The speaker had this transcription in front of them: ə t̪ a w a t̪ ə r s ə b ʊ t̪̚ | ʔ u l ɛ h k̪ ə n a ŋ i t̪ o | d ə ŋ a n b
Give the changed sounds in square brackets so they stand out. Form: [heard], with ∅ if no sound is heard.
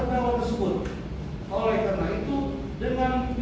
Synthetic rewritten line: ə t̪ a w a t̪ ə r s ə b ʊ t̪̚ | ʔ [o] l ɛ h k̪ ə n a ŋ i t̪ [u] | d ə ŋ a n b